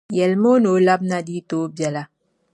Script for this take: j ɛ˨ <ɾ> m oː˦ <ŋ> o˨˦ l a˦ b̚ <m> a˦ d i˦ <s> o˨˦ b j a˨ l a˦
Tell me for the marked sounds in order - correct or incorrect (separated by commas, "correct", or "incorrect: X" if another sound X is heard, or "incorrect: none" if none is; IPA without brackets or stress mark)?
incorrect: l, incorrect: n, incorrect: n, incorrect: t